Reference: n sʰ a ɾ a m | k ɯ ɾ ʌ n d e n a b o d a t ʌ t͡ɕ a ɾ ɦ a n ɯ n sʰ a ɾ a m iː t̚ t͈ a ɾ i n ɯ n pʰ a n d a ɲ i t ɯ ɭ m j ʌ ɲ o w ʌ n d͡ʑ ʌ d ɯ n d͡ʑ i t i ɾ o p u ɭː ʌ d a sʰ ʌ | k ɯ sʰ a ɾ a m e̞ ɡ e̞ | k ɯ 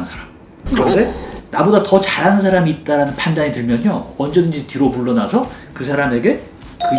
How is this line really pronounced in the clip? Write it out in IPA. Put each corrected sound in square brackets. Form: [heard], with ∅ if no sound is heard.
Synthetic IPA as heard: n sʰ a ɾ a m | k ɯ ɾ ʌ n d e n a b o d a t ʌ t͡ɕ a ɾ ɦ a n ɯ n sʰ a ɾ a m iː t̚ t͈ a ɾ [a] n ɯ n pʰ a n d a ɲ i t ɯ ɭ m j ʌ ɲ o w ʌ n d͡ʑ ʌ d ɯ n d͡ʑ i t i ɾ o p u ɭː ʌ [n] a sʰ ʌ | k ɯ sʰ a ɾ a m e̞ ɡ e̞ | k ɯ